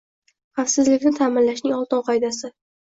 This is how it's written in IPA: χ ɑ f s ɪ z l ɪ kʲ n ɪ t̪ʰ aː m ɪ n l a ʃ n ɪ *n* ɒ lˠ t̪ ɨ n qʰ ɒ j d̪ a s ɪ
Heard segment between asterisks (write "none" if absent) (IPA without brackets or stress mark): ŋ